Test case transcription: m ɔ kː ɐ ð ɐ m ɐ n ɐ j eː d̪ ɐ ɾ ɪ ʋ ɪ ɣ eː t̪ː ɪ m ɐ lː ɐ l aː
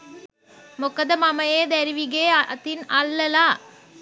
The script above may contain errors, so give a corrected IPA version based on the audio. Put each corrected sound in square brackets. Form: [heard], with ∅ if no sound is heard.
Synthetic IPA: m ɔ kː ɐ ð ɐ m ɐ [m] ɐ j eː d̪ ɐ ɾ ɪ ʋ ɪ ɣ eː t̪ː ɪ [n] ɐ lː ɐ l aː